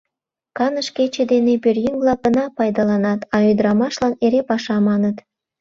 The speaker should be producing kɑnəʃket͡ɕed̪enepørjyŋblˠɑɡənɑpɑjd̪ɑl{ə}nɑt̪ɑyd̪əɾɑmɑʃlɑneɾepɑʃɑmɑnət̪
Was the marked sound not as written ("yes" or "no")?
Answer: yes